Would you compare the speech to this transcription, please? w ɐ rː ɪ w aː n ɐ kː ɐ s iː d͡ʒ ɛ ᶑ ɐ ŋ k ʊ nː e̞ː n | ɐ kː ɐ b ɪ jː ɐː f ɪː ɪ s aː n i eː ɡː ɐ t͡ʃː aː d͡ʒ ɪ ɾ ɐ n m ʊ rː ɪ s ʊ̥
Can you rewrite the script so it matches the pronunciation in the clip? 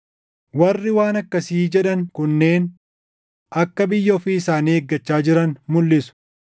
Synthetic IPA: w ɐ rː ɪ w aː n ɐ kː ɐ s iː d͡ʒ ɛ ᶑ ɐ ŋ k ʊ nː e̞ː n | ɐ kː ɐ b ɪ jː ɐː f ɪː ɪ s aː n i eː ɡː ɐ t͡ʃː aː d͡ʒ ɪ ɾ ɐ n m ʊ lː ɪ s ʊ̥